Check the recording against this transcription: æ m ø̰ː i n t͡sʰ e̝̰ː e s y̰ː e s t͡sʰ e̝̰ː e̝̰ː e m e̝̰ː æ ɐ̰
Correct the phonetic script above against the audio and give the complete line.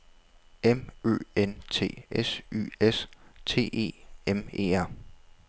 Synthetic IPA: e m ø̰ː e n t͡sʰ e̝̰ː e s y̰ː e s t͡sʰ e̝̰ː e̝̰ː e m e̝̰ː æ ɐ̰